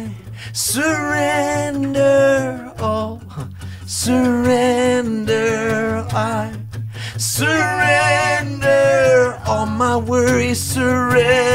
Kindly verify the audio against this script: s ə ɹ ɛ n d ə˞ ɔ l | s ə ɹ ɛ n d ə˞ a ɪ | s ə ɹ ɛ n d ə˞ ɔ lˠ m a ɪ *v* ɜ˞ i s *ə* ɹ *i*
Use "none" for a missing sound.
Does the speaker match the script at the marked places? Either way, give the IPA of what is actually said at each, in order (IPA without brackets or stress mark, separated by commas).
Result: w, ə, ɛ